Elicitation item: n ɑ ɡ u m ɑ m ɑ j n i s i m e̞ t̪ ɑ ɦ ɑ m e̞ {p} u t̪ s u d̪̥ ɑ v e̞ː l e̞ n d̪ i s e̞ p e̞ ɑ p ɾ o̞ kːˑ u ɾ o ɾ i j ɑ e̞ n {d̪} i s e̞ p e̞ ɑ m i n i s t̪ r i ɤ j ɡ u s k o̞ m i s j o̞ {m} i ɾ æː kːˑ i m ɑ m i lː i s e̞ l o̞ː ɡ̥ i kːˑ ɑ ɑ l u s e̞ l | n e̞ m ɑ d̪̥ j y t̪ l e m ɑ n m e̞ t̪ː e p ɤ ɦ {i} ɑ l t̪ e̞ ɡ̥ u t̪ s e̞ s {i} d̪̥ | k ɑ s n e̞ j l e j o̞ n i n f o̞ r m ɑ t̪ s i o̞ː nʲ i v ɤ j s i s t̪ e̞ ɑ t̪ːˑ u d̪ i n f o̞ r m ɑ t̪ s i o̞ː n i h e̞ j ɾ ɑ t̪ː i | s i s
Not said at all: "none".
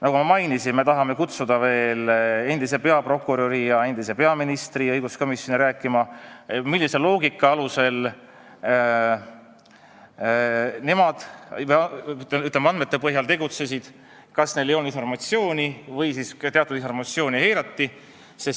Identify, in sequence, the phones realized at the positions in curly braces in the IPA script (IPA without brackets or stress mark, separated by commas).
k, d̪, n, j, i